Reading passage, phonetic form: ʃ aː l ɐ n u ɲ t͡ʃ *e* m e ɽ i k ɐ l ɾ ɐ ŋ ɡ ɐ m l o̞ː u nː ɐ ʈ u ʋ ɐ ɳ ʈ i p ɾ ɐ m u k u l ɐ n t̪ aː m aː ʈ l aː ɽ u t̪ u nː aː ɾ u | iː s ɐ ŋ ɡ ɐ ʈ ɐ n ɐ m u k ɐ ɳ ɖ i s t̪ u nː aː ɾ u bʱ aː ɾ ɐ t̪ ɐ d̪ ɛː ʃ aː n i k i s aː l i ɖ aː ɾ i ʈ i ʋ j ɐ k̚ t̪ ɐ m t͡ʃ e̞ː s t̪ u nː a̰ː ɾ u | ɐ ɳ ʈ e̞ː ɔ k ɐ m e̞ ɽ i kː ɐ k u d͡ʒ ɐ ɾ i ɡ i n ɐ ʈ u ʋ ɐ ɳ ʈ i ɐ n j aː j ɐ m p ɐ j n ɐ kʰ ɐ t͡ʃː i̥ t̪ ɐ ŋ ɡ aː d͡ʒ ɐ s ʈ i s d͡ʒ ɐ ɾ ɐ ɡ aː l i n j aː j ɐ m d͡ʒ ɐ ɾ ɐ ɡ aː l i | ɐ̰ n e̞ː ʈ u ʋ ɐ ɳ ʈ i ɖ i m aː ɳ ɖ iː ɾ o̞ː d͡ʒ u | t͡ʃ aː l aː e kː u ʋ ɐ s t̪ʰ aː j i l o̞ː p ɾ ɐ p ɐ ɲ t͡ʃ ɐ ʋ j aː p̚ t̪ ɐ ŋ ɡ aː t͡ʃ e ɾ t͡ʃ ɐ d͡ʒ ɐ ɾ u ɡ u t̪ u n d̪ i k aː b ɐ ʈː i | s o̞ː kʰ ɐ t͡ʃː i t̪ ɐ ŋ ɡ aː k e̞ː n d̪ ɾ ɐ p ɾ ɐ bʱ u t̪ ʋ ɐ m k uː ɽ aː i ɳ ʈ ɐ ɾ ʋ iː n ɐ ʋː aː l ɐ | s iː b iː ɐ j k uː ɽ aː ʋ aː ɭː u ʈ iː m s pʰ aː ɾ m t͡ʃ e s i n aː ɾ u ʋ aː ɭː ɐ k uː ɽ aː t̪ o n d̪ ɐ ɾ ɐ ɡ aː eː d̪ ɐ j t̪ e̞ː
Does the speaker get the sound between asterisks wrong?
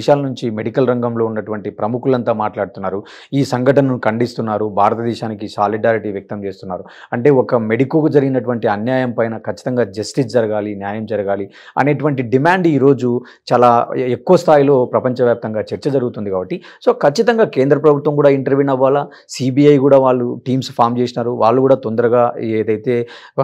yes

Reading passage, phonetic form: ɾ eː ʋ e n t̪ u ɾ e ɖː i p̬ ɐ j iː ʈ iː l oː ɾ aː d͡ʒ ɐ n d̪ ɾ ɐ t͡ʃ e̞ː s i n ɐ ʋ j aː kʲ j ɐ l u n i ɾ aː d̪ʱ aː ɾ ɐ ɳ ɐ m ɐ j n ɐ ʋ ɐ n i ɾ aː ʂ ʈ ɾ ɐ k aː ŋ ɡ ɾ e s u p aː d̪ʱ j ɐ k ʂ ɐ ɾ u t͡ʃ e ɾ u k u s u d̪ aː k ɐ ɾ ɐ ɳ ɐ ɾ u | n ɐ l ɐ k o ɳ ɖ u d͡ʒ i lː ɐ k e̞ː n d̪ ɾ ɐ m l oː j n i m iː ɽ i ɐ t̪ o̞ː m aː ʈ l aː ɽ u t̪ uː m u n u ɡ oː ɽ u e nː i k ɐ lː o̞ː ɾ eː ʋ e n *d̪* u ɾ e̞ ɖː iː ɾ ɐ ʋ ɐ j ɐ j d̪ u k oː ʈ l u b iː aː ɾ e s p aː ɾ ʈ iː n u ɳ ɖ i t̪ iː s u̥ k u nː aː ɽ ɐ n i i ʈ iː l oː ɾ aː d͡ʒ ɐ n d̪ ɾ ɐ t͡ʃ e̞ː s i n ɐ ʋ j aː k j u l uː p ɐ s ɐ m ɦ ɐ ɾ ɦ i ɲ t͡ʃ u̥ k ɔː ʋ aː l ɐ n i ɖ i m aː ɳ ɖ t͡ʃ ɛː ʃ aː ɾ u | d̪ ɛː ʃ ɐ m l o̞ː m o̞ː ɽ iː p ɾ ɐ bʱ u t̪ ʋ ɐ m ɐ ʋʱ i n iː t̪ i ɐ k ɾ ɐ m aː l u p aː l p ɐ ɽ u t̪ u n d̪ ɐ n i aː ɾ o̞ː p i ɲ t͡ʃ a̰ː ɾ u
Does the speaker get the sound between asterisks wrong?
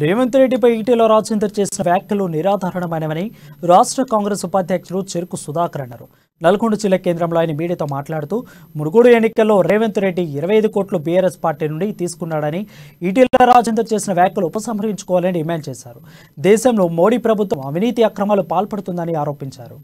yes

